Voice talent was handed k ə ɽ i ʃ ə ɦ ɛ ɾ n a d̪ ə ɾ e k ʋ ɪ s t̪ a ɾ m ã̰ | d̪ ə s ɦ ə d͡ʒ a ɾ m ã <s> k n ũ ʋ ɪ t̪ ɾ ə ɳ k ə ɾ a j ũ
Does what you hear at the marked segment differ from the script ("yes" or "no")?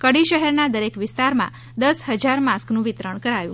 no